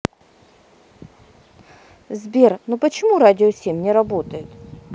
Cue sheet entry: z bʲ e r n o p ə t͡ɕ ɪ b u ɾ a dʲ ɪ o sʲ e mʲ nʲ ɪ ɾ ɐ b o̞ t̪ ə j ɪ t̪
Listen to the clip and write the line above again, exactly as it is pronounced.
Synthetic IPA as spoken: z bʲ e r n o p ə t͡ɕ ɪ m u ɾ a dʲ ɪ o sʲ e mʲ nʲ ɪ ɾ ɐ b o̞ t̪ ə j ɪ t̪